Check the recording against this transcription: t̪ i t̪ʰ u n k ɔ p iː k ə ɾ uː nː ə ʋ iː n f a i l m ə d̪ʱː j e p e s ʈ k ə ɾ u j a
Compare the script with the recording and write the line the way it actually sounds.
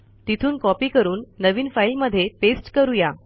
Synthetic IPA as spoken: t̪ i t̪ʰ uː n k ɔ p iː k ə ɾ uː nː ə ʋ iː n f a i l m ə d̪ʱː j e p e s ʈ k ə ɾ u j a